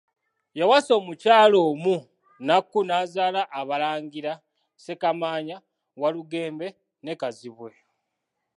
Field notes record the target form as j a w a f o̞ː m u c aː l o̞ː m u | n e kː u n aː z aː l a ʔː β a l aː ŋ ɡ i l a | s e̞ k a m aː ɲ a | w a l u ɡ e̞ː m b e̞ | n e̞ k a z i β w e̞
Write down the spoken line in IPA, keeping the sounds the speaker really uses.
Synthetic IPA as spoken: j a w a s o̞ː m u c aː l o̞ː m u | n a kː u n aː z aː l a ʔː β a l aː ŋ ɡ i ɾ a | s e̞ k a m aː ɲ a | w a l u ɡ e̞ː m b e̞ | n e̞ k a z i β w e̞

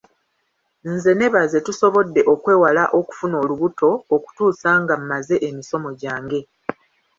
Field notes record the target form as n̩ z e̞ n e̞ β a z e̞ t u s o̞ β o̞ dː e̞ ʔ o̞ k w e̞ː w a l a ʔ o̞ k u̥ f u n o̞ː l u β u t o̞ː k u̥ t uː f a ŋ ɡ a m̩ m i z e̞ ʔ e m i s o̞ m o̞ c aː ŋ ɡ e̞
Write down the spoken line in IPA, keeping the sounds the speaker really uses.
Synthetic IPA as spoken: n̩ z e̞ n e̞ β a z e̞ t u s o̞ β o̞ dː e̞ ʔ o̞ k w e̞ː w a l a ʔ o̞ k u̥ f u n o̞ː l u β u t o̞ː k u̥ t uː s a ŋ ɡ a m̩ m a z e̞ ʔ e m i s o̞ m o̞ ɟ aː ŋ ɡ e̞

